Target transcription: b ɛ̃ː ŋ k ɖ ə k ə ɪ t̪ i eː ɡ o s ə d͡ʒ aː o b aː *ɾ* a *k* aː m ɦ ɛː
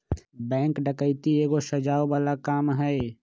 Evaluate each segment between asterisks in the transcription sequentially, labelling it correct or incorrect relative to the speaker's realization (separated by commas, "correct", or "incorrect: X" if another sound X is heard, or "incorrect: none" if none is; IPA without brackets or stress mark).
incorrect: l, correct